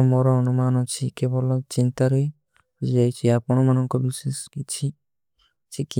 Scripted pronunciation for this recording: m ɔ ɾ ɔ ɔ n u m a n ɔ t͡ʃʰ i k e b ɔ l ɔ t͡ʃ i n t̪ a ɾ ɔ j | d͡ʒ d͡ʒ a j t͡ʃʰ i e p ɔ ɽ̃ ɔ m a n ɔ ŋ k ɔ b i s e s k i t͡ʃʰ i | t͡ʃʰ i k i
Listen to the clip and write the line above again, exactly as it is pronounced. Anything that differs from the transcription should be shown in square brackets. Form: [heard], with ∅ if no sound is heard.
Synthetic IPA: m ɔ ɾ ɔ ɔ n u m a n ɔ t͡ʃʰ i k e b ɔ l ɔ t͡ʃ i n t̪ a ɾ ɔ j | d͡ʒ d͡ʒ a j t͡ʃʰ i [a] p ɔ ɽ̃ ɔ m a n ɔ ŋ k ɔ b i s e s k i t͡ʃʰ i | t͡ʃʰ i k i